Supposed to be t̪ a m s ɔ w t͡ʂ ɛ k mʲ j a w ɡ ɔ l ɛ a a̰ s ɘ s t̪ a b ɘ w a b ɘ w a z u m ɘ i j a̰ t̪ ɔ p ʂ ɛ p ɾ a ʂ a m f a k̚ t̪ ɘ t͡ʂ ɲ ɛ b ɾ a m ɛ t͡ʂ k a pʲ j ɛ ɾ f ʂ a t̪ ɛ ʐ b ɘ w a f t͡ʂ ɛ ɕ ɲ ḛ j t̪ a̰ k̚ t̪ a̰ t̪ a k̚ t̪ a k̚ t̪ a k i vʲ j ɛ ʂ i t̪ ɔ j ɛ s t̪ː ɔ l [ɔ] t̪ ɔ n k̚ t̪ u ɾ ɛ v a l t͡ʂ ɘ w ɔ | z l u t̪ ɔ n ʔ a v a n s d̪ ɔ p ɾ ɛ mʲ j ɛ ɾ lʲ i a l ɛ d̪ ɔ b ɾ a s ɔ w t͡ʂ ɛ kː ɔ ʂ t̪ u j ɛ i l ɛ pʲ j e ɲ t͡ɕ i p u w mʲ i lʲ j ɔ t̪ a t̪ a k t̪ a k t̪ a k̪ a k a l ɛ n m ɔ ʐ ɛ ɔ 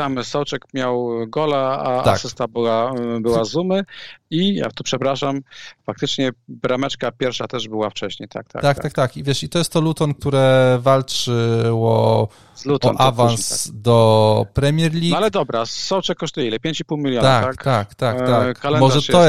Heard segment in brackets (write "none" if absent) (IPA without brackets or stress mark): u